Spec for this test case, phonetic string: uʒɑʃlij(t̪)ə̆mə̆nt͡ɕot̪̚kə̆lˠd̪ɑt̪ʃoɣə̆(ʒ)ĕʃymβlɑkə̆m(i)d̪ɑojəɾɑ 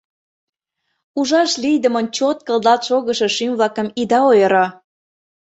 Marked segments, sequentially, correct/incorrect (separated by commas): incorrect, incorrect, correct